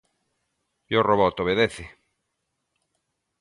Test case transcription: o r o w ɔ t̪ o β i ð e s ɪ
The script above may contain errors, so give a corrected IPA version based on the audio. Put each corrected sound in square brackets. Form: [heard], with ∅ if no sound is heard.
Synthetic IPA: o r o [β] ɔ t̪ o β [e] ð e [θ] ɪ